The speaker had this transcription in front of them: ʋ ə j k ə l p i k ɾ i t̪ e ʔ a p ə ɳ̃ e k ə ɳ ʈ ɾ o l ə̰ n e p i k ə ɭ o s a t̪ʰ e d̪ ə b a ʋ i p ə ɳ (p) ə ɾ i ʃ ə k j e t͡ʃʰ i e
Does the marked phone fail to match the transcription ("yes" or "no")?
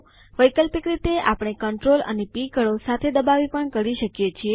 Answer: yes